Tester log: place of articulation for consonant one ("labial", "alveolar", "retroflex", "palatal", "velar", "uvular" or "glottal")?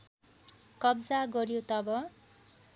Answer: velar